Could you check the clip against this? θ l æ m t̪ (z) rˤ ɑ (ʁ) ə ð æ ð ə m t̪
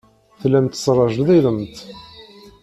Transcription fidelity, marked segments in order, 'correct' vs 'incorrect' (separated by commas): incorrect, incorrect